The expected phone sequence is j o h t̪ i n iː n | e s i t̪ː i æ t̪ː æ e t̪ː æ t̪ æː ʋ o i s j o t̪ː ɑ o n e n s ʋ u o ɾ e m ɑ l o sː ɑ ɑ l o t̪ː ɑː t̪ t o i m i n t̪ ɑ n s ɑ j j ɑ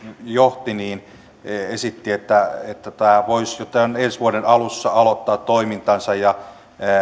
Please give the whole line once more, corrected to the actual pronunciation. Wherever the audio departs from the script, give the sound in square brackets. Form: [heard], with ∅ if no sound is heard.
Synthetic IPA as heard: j o h t̪ i n iː n | e s i t̪ː i [e] t̪ː æ e t̪ː æ t̪ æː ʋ o i s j o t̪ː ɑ o n e n s ʋ u o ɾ e [n] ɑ l [u] sː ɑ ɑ l o t̪ː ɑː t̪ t o i m i n t̪ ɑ n s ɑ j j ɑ